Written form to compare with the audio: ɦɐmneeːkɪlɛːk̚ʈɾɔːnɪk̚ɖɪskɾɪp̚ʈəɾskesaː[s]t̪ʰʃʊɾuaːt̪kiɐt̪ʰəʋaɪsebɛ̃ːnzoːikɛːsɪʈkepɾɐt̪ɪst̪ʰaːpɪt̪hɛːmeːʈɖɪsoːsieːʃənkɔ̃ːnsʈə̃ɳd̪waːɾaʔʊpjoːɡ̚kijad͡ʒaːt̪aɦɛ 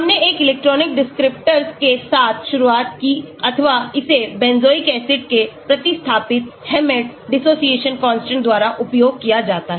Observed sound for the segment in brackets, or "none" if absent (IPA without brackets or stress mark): none